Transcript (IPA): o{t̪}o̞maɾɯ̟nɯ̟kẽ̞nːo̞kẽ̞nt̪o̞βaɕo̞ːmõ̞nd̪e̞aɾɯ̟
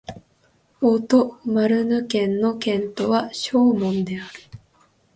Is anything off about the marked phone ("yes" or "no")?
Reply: no